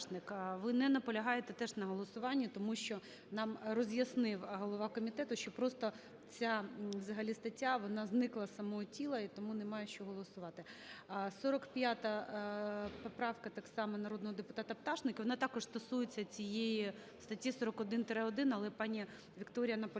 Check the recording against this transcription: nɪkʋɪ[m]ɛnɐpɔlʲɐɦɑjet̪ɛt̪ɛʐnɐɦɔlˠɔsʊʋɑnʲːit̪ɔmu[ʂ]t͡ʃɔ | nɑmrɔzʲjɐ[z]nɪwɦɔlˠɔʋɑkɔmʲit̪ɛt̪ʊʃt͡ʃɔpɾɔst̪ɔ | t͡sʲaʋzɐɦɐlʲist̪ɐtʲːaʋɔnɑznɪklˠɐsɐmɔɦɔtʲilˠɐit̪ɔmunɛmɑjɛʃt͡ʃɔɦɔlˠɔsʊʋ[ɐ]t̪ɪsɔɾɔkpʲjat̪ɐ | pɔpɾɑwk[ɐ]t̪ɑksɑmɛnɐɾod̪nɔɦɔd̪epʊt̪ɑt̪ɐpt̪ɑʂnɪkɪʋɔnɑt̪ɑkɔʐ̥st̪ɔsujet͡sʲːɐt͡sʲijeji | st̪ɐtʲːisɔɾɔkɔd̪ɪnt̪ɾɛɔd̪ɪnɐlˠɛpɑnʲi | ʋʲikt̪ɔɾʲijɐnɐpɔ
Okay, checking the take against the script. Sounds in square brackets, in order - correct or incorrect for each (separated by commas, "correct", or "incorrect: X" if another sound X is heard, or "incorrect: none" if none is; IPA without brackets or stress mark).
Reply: incorrect: n, incorrect: ʃ, incorrect: s, incorrect: ɑ, correct